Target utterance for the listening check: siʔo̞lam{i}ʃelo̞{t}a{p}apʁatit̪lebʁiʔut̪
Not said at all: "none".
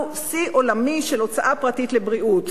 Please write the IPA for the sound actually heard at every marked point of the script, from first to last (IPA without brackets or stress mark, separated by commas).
i, t͡s, ʔ